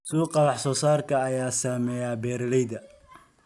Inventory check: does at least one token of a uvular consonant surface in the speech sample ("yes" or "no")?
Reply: yes